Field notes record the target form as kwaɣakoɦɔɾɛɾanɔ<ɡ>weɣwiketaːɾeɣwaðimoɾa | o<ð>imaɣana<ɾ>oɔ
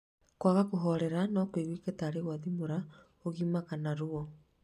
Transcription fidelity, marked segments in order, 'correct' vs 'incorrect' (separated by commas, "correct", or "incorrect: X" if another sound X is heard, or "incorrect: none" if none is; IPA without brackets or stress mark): incorrect: k, incorrect: ɣ, correct